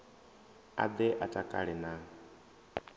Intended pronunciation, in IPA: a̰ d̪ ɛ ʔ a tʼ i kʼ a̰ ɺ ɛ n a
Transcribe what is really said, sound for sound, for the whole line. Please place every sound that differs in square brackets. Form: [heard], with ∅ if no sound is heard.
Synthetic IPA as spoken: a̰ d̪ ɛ ʔ a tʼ [a] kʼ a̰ ɺ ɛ n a